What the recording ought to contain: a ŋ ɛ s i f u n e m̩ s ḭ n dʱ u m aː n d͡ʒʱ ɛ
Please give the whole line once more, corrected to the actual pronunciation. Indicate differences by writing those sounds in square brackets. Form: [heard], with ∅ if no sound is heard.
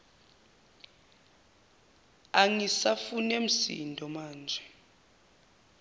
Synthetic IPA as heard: a ŋ [i] s [a] f u n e m̩ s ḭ n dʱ [ɔ] m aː n d͡ʒʱ ɛ